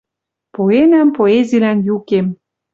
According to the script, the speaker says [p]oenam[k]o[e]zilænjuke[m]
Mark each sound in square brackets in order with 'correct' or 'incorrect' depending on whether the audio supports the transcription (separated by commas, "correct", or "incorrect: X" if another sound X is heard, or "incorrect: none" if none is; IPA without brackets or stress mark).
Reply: correct, incorrect: p, correct, correct